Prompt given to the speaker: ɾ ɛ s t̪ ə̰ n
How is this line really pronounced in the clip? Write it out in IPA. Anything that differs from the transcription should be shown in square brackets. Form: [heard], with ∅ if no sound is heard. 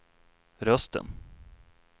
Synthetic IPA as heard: ɾ [œ] s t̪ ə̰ n

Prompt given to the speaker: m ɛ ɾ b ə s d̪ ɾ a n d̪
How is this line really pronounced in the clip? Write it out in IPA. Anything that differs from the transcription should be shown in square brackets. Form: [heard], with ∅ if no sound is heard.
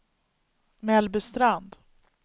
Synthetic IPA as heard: m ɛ [l] b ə s [t̪] ɾ a n d̪

